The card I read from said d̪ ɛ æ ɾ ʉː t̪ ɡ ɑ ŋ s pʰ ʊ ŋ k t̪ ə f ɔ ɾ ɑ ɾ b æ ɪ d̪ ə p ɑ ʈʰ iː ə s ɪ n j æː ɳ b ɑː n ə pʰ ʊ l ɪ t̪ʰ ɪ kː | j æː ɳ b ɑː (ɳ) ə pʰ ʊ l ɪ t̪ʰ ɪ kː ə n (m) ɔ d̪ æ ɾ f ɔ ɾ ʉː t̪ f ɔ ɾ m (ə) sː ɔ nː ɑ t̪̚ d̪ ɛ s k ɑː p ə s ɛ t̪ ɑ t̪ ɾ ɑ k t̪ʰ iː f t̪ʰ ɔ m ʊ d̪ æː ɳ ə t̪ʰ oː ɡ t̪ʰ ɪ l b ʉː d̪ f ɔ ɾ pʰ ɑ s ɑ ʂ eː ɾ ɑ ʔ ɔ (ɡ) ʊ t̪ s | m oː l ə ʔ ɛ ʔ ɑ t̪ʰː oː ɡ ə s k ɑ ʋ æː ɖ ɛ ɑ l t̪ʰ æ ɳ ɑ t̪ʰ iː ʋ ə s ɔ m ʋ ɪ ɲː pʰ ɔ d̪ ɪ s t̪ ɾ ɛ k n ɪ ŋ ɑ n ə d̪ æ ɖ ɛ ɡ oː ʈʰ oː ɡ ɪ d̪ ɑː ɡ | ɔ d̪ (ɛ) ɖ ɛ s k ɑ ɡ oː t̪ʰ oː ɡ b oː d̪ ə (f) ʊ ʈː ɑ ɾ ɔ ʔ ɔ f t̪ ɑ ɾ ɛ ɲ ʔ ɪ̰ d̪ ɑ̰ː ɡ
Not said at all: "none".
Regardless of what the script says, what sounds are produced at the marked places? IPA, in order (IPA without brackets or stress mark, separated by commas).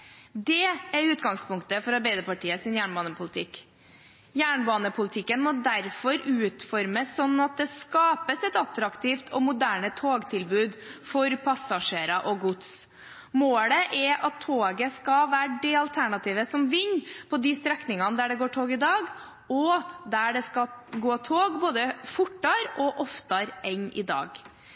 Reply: n, m, ə, ɡ, æ, f